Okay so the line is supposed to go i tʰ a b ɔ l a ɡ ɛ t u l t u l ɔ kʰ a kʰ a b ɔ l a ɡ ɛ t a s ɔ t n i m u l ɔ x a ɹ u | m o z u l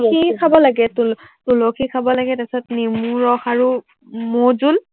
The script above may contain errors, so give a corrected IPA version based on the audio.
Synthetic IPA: i kʰ a b ɔ l a ɡ ɛ t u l t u l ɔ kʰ i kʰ a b ɔ l a ɡ ɛ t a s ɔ t n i m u ɹ ɔ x a ɹ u | m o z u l